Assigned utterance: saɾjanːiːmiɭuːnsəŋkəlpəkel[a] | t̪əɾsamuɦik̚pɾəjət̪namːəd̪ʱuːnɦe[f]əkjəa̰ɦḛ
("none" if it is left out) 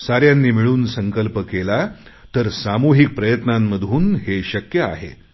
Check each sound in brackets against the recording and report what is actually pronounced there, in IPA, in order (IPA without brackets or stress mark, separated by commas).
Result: a, ɕ